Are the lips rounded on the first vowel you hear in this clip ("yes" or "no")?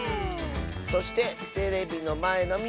yes